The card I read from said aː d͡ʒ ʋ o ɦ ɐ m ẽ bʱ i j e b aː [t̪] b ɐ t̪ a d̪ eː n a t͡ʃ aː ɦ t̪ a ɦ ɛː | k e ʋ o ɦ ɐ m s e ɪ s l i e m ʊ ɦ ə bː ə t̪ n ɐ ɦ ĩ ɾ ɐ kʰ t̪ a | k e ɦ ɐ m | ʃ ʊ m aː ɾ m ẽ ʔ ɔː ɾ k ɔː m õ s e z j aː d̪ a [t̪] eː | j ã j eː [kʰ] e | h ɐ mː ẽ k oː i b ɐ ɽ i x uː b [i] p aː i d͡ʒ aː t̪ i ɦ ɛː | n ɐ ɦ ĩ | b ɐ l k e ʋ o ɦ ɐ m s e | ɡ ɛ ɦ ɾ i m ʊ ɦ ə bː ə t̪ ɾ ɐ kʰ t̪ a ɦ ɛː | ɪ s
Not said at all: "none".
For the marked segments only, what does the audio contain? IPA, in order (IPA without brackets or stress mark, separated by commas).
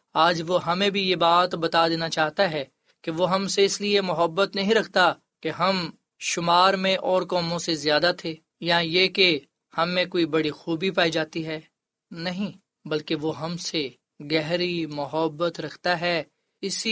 t̪, t̪ʰ, k, i